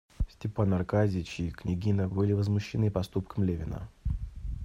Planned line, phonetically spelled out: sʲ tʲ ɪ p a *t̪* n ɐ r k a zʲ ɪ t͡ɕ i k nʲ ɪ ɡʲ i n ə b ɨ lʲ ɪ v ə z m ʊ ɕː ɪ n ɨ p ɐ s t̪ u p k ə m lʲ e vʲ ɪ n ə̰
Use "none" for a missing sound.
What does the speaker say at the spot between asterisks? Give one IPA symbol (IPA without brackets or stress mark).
none